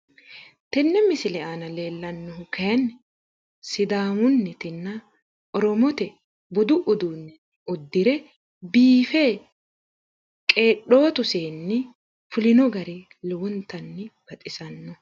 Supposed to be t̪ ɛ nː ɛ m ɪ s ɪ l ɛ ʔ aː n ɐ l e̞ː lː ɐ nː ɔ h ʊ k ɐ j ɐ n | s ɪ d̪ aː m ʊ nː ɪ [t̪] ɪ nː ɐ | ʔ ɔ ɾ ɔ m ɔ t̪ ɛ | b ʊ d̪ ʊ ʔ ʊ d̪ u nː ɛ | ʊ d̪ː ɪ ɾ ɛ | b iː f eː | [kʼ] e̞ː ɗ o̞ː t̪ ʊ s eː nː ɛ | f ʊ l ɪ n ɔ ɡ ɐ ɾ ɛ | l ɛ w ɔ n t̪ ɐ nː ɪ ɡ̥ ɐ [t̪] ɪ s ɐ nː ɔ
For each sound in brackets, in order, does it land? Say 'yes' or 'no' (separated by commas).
yes, yes, no